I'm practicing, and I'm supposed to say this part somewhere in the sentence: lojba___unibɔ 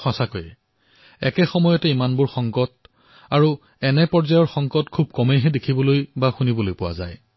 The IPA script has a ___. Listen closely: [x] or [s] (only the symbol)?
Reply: x